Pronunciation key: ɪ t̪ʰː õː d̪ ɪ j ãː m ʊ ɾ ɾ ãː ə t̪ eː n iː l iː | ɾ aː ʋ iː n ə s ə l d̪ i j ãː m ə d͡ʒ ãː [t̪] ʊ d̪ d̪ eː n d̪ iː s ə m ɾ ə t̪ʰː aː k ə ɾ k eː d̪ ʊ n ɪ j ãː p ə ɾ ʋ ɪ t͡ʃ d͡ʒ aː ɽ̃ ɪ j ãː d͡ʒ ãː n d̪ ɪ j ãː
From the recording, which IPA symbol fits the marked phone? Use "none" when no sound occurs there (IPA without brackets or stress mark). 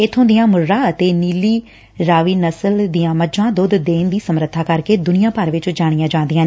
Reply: d̪